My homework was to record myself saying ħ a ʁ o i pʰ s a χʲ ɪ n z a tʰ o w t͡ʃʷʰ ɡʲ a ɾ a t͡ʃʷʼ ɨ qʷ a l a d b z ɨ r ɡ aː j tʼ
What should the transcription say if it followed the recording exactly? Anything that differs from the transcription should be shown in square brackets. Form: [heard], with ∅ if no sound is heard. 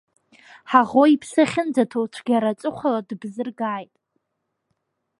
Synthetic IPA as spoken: ħ a ʁ o i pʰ s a χʲ ɪ n [d͡z] a tʰ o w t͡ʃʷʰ ɡʲ a ɾ a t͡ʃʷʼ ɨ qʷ a l a d b z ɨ r ɡ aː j tʼ